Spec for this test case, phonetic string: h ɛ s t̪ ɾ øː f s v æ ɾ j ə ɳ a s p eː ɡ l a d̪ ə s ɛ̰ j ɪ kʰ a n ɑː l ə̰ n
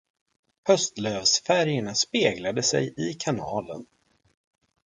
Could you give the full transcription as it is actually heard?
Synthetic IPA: h œ s t̪ l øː v s f æ ɾ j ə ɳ a s p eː ɡ l a d̪ ə s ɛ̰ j ɪ kʰ a n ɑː l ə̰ n